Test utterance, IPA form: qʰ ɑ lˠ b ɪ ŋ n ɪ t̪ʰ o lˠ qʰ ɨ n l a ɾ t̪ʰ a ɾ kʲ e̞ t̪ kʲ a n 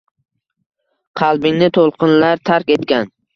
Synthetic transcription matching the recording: qʰ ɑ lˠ b ɪ ŋ n ɪ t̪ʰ o lˠ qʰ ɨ n l a ɾ t̪ʰ a ɾ kʲ e̞ t̪ kʲ a n